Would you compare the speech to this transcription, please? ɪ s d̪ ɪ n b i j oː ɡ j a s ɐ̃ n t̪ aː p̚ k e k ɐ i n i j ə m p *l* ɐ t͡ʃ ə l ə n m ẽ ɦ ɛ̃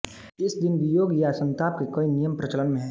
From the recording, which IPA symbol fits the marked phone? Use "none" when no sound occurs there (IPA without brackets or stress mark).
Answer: ɾ